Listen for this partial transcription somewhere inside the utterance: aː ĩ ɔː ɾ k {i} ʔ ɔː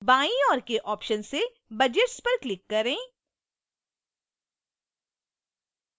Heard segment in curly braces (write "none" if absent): e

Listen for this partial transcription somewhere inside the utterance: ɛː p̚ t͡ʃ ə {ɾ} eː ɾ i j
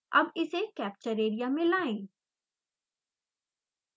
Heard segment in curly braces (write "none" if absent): ɾ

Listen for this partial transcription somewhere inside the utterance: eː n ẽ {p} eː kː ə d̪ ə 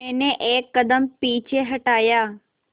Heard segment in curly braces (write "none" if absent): ʔ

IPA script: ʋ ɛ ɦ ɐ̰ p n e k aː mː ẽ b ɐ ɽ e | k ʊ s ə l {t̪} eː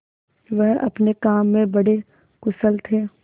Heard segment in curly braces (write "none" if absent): t̪ʰ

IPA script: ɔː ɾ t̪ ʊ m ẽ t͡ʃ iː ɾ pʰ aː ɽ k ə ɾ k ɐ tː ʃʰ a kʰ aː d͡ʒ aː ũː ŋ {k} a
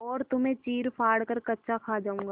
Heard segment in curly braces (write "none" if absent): ɡ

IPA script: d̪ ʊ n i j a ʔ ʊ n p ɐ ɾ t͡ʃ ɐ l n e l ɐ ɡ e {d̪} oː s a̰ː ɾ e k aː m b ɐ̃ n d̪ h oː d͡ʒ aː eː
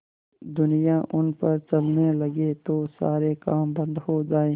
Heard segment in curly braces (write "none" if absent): t̪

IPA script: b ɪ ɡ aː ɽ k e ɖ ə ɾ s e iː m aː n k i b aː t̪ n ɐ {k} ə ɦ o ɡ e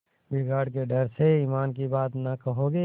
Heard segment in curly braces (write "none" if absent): k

